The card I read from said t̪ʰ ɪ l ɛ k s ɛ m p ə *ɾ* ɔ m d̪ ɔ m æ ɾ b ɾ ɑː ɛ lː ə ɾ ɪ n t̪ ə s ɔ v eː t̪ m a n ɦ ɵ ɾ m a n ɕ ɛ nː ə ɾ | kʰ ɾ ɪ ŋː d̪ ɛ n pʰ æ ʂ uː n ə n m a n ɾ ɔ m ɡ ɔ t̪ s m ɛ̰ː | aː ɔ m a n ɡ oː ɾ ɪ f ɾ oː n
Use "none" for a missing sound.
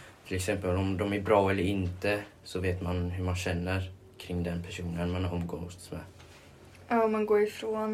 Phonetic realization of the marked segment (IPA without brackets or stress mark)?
l